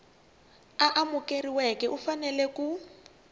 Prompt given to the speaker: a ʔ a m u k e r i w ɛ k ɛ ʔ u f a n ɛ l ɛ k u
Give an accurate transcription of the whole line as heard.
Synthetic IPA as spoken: a ʔ a m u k e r i w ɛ k ɛ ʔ u f a n ɛ l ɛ k u